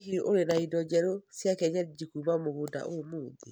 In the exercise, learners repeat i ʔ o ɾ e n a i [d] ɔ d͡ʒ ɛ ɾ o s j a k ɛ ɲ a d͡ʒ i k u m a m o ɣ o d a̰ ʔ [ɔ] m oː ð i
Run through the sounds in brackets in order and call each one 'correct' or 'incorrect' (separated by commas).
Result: correct, incorrect